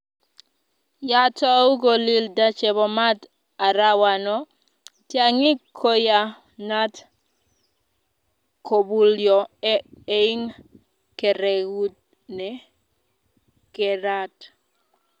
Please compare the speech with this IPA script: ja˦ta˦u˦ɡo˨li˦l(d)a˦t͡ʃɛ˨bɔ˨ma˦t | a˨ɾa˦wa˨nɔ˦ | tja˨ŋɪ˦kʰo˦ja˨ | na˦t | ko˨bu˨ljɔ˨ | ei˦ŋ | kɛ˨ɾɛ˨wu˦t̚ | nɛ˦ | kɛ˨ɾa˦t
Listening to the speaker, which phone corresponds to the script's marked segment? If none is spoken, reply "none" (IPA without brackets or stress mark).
d